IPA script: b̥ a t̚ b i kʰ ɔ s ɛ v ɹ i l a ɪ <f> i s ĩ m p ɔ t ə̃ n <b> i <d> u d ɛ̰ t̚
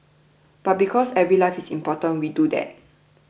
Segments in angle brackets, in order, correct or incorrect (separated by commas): correct, incorrect, correct